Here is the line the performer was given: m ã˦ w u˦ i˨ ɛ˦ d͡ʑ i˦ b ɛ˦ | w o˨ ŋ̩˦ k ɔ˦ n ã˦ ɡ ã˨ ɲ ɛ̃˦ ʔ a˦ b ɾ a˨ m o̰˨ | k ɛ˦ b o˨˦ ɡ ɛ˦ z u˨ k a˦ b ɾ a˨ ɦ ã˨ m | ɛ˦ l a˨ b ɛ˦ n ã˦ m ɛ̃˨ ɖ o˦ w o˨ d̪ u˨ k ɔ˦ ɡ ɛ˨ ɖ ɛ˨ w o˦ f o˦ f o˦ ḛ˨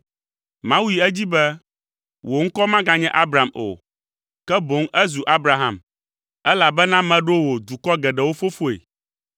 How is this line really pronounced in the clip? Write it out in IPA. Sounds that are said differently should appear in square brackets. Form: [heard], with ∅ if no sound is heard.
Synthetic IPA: m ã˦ w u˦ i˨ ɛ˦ d͡ʑ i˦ b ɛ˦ | w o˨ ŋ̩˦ k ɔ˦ [m] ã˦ ɡ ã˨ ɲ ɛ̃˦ ʔ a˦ b ɾ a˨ m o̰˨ | k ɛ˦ b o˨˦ [ŋ] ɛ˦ z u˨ [ʔ] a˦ b ɾ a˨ ɦ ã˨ m | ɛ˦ l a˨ b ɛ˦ n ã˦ m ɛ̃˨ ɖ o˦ w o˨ d̪ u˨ k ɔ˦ ɡ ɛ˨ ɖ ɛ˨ w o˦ f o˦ f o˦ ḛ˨